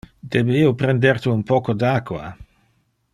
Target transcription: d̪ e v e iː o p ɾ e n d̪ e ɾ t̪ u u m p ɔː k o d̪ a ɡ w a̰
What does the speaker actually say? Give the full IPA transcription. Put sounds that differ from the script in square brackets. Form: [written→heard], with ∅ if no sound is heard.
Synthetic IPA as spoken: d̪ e [v→b] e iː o p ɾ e n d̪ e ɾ t̪ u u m p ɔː k o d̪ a [ɡ→k] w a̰